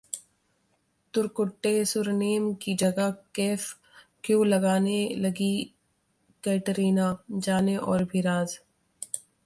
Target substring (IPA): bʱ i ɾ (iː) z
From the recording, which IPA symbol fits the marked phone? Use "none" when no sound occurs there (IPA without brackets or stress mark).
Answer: aː